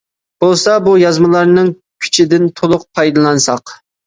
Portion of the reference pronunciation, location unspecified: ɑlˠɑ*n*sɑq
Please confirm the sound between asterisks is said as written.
yes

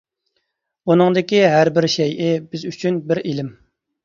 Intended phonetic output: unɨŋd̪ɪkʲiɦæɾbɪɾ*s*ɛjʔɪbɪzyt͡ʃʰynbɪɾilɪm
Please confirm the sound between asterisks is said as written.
no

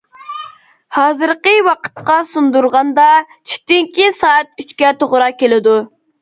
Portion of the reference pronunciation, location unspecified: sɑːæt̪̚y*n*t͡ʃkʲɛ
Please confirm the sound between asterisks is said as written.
no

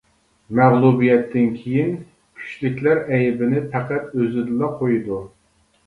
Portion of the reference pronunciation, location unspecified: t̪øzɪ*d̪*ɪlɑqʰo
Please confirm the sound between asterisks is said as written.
yes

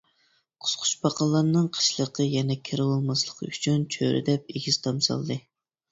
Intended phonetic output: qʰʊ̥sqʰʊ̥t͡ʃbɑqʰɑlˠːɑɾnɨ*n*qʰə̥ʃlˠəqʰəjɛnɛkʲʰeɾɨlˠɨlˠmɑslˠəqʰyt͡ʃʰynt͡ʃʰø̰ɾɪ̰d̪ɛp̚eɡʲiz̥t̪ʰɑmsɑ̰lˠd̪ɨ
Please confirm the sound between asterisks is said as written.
no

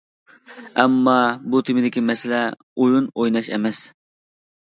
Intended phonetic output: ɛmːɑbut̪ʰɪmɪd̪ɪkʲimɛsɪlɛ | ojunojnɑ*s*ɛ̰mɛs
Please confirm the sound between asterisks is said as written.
no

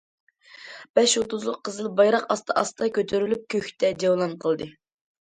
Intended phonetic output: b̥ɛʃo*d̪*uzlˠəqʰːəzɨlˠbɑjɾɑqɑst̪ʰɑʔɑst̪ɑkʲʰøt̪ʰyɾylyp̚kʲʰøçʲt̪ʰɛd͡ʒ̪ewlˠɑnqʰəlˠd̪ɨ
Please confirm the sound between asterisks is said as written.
no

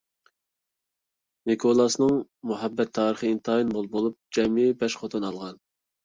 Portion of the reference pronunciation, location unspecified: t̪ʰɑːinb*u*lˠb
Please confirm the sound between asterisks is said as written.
no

